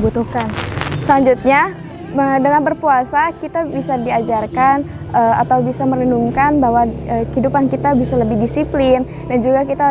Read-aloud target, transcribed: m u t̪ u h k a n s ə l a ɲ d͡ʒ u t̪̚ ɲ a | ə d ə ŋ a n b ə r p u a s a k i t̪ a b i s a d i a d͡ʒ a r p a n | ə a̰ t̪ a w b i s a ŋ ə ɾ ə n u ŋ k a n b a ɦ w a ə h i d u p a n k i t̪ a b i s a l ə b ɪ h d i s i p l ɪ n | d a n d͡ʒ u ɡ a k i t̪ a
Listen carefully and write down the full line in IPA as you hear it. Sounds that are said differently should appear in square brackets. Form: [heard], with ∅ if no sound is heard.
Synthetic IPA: [b] u t̪ u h k a n s ə l a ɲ d͡ʒ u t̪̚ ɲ a | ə d ə ŋ a n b ə r p u a s a k i t̪ a b i s a d i a d͡ʒ a r [k] a n | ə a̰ t̪ a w b i s a [m] ə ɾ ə n u ŋ k a n b a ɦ w a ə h i d u p a n k i t̪ a b i s a l ə b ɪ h d i s i p l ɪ n | d a n d͡ʒ u ɡ a k i t̪ a